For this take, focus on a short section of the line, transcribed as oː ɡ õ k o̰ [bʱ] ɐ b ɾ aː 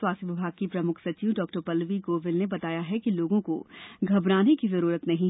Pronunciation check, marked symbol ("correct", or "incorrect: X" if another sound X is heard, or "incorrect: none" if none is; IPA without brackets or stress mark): incorrect: ɡʱ